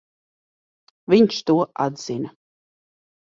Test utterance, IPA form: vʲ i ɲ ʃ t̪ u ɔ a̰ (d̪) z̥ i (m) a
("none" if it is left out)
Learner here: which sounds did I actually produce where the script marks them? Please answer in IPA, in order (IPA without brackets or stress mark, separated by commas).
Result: d̪, n